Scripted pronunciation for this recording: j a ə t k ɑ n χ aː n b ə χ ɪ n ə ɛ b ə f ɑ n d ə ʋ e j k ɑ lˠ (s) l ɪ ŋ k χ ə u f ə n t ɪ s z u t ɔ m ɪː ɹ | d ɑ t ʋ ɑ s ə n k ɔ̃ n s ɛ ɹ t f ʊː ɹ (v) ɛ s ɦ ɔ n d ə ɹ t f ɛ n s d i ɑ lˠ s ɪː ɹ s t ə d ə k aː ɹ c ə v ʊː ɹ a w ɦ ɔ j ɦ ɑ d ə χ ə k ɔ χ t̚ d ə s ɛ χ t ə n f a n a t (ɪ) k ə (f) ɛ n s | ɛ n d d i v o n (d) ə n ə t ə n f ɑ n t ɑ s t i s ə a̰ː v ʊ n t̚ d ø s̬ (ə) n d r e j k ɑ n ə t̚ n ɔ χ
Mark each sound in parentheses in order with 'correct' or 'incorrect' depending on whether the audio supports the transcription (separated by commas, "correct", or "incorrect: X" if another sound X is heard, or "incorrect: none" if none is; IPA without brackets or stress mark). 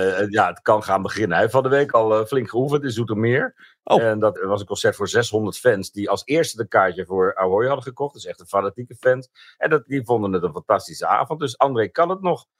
incorrect: f, incorrect: z, incorrect: i, correct, correct, incorrect: ɑ